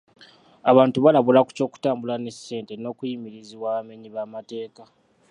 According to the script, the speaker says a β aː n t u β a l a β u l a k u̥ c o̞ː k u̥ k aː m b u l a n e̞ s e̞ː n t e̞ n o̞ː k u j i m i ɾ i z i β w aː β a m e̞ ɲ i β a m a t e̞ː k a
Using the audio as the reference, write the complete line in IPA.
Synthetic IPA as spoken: a β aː n t u β a l a β u l a k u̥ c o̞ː k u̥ t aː m b u l a n e̞ s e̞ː n t e̞ n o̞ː k u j i m i ɾ i z i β w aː β a m e̞ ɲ i β a m a t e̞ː k a